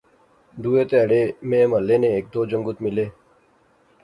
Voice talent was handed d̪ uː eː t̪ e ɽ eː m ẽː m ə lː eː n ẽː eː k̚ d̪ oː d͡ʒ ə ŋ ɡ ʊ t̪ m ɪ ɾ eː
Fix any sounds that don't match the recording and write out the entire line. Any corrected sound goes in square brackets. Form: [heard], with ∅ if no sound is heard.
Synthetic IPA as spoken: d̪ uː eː t̪ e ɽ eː m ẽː m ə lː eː n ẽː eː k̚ d̪ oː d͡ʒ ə ŋ ɡ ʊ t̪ m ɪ [l] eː